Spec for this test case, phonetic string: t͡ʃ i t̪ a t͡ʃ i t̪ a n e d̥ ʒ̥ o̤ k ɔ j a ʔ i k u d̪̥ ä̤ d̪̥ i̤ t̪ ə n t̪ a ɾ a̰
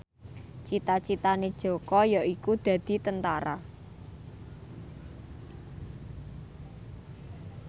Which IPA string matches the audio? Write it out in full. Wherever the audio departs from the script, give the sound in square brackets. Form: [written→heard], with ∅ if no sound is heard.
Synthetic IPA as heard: t͡ʃ i t̪ a t͡ʃ i t̪ a n e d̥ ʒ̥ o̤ k ɔ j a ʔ i k u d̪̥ ä̤ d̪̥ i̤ t̪ ə n t̪ a ɾ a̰